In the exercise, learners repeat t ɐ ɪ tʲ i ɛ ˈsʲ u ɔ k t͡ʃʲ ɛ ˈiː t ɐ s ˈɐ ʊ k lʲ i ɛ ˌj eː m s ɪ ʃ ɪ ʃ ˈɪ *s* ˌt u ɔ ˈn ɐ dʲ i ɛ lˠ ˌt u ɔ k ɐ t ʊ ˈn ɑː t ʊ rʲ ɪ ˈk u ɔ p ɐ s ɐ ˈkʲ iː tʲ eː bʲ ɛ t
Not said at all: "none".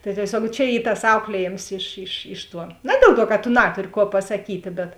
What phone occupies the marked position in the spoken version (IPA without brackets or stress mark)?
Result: ʃ